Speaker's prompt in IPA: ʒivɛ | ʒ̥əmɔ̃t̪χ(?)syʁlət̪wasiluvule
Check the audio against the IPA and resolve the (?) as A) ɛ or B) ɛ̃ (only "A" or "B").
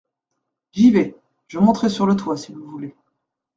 A